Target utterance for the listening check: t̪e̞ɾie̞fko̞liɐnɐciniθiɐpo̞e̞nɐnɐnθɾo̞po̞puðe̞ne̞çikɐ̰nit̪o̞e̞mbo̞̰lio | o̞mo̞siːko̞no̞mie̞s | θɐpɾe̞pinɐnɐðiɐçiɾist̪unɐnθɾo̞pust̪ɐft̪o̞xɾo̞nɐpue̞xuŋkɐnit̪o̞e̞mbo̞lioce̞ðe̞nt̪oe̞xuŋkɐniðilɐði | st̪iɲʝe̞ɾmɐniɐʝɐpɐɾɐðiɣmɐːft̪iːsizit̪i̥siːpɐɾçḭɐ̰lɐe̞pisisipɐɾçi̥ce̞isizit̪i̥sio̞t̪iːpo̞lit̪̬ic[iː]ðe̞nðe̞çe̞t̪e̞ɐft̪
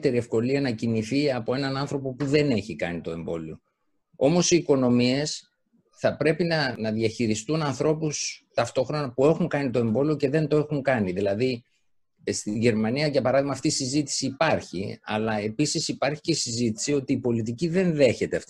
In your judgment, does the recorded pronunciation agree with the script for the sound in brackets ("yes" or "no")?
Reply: no